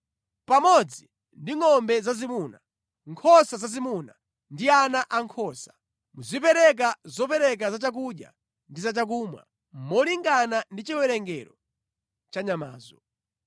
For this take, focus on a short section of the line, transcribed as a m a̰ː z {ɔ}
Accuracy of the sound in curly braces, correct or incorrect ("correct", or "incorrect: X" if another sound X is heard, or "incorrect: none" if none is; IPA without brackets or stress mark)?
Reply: correct